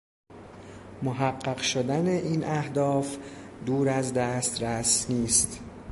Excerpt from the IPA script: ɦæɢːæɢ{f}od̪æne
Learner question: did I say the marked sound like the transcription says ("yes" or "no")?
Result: no